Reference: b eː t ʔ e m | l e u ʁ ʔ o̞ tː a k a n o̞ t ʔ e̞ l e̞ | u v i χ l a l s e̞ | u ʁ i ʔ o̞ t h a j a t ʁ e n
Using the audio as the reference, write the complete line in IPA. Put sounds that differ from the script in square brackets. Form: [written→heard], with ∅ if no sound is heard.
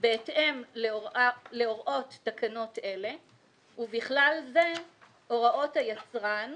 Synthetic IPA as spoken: b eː t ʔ e m | l e [u→o] ʁ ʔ o̞ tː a k a n o̞ t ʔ e̞ l e̞ | u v i χ l a l [s→z] e̞ | [u→o] ʁ [i→a] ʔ o̞ t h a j a [t→t͡s] ʁ [e→a] n